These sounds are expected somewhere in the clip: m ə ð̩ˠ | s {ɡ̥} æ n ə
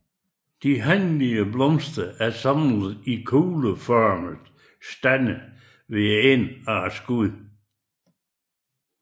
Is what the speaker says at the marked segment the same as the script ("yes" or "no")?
no